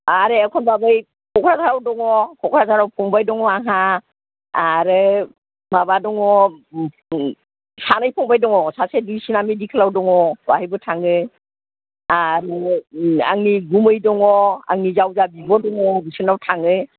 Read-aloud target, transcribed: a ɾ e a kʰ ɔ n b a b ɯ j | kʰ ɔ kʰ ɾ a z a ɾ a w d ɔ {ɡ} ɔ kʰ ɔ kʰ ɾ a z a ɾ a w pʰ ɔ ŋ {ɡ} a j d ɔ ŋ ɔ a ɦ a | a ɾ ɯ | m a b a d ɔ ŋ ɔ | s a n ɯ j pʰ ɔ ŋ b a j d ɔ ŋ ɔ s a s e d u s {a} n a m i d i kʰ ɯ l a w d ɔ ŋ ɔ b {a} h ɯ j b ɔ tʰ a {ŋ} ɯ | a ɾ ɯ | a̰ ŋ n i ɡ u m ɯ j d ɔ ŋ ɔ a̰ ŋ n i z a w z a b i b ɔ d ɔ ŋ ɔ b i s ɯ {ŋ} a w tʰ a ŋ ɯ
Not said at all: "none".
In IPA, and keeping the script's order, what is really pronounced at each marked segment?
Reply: ŋ, b, i, a, ŋ, n

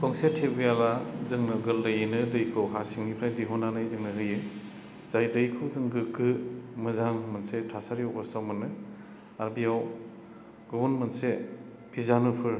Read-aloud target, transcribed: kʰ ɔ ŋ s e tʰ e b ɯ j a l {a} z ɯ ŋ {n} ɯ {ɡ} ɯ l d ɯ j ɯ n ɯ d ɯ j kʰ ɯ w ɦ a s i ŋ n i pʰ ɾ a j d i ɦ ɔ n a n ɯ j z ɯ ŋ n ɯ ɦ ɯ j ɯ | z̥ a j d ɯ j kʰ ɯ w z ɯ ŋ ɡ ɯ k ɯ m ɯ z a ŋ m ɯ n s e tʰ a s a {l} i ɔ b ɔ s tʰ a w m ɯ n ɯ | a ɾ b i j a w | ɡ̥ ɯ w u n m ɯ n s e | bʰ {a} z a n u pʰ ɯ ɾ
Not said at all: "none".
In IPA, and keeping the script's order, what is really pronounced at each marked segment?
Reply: a, n, ɡ, ɾ, i

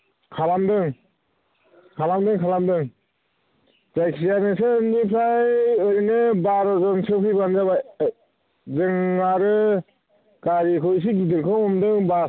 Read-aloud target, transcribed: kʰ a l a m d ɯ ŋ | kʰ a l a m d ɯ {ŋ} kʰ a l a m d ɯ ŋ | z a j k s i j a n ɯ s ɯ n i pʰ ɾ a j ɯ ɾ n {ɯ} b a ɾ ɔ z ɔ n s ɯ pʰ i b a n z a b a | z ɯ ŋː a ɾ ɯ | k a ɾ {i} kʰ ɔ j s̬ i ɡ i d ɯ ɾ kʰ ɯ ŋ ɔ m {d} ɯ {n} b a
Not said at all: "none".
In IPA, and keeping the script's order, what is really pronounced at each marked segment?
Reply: ŋ, ɯ, i, d, ŋ

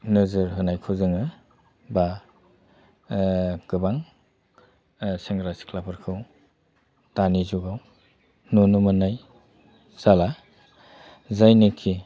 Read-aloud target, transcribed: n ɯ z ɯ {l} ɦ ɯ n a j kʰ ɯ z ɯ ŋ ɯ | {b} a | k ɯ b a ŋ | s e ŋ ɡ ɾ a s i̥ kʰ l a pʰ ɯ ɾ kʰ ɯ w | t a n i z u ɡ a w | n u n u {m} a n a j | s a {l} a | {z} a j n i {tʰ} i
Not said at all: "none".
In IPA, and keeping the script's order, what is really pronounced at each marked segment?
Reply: ɾ, b, m, l, z, kʰ

